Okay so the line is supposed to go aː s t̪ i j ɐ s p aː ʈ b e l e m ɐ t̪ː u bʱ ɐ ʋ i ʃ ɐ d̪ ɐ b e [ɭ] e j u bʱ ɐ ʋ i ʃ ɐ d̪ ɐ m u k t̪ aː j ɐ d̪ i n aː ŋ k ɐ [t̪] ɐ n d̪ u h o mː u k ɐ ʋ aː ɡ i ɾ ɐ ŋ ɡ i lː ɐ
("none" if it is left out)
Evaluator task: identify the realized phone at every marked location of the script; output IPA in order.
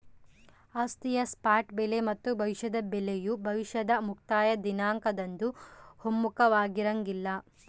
l, d̪

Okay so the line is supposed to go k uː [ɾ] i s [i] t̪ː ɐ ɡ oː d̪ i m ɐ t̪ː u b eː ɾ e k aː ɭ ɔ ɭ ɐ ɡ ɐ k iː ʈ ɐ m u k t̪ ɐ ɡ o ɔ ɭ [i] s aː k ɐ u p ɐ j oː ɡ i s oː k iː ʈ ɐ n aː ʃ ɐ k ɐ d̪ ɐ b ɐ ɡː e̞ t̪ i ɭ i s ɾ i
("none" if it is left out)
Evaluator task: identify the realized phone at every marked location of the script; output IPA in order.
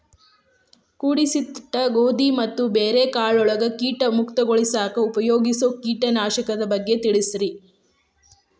ɽ, i, i

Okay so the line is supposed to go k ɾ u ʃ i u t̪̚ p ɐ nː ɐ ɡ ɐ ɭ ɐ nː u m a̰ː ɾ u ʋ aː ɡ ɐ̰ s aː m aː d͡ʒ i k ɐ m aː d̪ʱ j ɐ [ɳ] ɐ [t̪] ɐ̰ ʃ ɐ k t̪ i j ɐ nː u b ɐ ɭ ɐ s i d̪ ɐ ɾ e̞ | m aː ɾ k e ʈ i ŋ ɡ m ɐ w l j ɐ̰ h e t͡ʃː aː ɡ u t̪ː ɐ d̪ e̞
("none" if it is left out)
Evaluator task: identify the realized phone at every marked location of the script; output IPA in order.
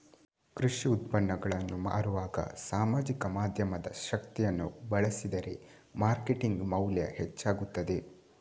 m, d̪

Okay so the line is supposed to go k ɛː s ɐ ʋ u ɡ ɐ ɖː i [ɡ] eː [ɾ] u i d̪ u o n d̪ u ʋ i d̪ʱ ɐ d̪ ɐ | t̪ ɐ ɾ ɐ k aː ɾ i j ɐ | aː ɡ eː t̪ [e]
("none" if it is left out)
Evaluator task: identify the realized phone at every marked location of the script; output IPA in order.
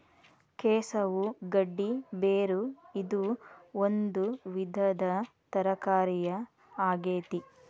b, ɾ, i

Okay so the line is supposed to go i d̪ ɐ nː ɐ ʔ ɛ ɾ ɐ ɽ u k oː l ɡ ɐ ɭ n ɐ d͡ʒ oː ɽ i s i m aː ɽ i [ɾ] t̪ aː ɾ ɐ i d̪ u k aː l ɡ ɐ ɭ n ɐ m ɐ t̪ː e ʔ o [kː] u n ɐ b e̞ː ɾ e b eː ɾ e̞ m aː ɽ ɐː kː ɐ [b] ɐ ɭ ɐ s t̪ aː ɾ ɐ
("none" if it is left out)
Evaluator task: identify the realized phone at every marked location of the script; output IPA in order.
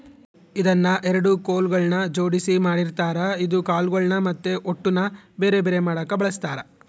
ɾ, ʈː, b

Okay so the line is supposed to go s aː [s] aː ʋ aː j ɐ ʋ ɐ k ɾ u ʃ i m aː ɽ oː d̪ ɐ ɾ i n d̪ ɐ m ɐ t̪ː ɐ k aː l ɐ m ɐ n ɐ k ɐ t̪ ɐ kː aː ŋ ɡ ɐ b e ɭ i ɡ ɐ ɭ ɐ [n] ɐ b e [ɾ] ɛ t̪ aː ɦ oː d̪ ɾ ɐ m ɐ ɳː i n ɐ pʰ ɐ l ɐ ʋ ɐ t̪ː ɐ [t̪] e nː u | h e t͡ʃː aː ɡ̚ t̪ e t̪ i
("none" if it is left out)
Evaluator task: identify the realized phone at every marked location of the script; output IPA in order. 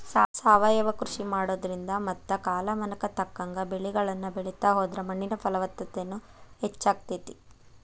s, nː, ɭ, t̪

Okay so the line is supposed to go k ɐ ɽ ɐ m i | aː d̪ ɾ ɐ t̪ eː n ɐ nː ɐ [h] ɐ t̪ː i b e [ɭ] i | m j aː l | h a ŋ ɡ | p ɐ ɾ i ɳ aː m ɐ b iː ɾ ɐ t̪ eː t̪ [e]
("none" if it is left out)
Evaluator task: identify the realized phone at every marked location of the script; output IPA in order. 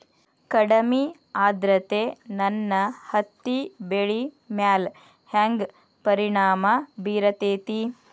h, ɭ, i

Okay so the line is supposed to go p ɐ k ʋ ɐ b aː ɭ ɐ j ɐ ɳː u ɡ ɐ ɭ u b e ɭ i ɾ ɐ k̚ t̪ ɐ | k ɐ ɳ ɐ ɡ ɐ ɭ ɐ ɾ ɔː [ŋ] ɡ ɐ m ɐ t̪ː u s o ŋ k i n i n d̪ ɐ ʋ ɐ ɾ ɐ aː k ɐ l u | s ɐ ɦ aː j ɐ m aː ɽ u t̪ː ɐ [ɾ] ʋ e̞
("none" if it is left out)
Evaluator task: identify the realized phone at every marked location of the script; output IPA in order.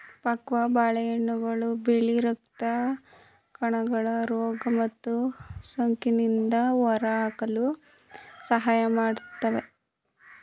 none, none

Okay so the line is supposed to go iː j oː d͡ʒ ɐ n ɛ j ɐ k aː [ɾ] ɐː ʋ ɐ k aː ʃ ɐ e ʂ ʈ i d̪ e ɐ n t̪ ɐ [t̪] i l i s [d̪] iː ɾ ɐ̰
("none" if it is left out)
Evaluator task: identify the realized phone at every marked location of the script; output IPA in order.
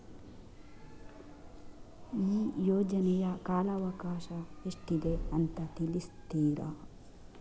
l, t̪, t̪

